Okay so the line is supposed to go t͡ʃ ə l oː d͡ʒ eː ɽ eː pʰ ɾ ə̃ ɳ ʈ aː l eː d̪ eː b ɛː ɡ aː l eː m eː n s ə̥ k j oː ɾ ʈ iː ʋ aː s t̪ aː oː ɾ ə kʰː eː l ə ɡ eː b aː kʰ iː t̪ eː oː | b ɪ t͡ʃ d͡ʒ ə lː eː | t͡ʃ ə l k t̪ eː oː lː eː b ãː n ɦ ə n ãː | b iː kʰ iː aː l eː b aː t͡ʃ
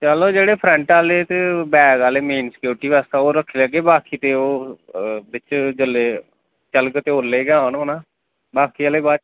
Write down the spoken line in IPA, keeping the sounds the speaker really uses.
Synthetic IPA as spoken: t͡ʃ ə l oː d͡ʒ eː ɽ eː pʰ ɾ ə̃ ɳ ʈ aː l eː t̪ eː b ɛː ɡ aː l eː m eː n s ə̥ k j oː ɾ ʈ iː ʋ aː s t̪ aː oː ɾ ə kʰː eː l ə ɡ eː b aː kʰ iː t̪ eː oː | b ɪ t͡ʃ d͡ʒ ə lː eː | t͡ʃ ə l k t̪ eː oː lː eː ɡ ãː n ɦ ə n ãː | b aː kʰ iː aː l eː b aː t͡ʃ